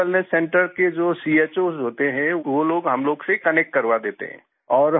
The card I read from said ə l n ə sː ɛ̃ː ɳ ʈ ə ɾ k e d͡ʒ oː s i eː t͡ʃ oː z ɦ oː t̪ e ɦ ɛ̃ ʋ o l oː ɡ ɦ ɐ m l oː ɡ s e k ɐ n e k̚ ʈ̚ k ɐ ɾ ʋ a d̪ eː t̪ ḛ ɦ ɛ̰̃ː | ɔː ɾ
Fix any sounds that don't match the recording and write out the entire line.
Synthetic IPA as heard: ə l n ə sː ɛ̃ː ɳ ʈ ə ɾ k e d͡ʒ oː s i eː t͡ʃ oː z ɦ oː t̪ e ɦ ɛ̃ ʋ o l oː ɡ ɦ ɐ m l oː ɡ s e k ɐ n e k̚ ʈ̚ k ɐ ɾ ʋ a d̪ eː t̪ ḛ ɦ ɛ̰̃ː | ɔː ɾ